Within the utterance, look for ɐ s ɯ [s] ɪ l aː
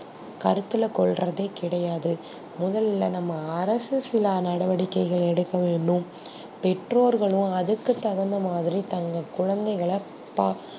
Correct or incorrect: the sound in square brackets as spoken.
correct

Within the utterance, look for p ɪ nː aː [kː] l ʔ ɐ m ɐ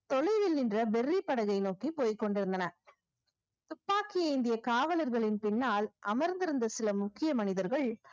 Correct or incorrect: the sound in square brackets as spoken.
incorrect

